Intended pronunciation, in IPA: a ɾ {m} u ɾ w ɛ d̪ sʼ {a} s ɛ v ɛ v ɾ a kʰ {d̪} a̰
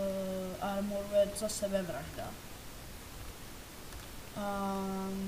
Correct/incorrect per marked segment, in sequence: correct, correct, correct

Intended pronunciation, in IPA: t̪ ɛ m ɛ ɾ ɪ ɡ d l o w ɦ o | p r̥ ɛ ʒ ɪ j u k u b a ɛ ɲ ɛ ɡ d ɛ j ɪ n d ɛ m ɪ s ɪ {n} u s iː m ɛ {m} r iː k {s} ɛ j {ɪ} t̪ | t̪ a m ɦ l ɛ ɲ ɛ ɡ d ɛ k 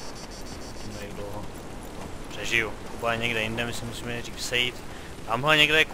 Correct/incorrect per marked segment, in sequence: incorrect: m, incorrect: none, correct, incorrect: i

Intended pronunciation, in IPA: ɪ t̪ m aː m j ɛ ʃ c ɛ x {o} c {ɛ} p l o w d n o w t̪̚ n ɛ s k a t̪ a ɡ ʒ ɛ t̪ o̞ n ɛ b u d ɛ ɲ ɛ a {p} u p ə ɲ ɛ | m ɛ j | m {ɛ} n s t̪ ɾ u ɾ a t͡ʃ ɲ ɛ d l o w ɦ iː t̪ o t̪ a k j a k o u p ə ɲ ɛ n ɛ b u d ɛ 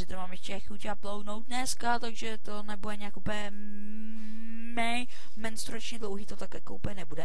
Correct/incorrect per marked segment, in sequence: incorrect: u, incorrect: a, incorrect: k, correct

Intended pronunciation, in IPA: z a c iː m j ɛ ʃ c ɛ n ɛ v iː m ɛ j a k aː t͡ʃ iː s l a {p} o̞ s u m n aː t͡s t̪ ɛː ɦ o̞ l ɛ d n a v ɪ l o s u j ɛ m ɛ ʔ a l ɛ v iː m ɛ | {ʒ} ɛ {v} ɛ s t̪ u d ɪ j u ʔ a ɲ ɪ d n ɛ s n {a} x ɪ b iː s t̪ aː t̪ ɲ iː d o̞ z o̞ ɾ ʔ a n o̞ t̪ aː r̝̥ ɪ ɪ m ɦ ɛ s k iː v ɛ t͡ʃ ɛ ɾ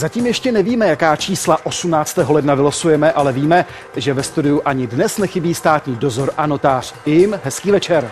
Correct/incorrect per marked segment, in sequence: incorrect: ʔ, correct, correct, incorrect: ɛ

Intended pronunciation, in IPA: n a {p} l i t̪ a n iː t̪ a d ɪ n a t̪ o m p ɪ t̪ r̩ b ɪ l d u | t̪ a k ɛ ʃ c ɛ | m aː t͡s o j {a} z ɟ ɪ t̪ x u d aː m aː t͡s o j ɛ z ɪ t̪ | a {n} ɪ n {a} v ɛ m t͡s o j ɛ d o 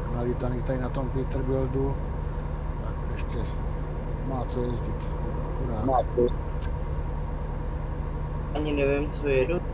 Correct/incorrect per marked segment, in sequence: incorrect: none, incorrect: ɛ, incorrect: ɲ, incorrect: ɛ

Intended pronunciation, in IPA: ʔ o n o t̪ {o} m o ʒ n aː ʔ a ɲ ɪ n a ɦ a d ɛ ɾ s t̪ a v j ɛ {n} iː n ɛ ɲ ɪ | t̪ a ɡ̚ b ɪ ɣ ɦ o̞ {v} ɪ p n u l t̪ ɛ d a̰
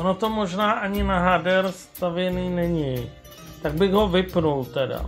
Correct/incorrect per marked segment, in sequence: correct, correct, correct

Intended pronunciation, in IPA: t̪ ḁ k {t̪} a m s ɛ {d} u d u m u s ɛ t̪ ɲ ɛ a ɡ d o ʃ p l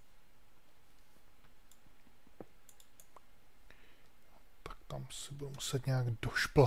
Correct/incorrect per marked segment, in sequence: correct, incorrect: b

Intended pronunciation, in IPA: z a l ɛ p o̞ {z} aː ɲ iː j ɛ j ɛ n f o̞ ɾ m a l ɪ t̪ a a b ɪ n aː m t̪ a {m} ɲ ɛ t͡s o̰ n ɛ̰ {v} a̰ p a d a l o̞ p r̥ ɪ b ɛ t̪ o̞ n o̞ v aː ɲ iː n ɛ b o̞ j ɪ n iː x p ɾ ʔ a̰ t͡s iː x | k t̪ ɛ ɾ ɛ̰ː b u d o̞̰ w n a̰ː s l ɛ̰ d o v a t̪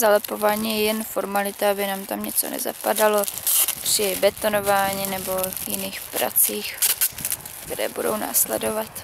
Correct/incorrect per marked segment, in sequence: incorrect: v, correct, incorrect: z

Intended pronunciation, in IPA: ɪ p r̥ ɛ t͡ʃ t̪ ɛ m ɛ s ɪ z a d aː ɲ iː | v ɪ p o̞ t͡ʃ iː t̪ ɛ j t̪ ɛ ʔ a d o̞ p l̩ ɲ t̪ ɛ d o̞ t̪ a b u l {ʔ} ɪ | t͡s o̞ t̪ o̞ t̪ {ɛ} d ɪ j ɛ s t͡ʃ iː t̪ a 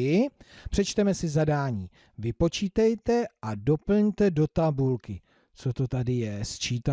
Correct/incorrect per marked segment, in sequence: incorrect: k, incorrect: a

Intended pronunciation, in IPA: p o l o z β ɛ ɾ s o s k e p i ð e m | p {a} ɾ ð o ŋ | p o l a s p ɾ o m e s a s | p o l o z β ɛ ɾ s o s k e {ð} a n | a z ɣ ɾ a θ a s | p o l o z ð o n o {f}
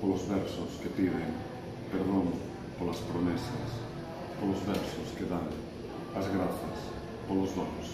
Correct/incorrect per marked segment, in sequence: incorrect: e, correct, incorrect: s

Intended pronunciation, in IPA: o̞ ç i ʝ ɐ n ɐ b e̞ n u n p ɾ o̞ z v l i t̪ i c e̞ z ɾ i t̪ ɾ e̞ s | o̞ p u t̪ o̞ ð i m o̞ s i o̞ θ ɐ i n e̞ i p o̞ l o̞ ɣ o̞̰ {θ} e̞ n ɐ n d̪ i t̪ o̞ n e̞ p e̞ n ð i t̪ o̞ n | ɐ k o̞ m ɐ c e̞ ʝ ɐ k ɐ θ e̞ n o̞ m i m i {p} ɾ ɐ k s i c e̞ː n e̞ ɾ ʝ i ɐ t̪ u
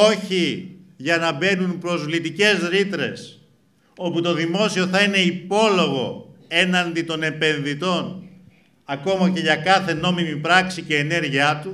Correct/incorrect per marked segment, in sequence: incorrect: none, correct

